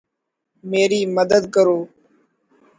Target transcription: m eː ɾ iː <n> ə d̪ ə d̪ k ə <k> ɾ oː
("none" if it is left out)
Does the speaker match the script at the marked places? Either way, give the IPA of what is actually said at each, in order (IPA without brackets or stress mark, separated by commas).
m, none